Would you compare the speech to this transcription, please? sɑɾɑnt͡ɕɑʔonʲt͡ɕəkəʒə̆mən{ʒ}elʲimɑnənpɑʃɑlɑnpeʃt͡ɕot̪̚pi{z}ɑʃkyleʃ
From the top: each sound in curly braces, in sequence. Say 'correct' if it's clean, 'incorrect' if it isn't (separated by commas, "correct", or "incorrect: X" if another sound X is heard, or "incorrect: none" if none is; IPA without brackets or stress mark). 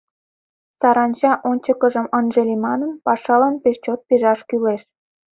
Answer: correct, incorrect: ʒ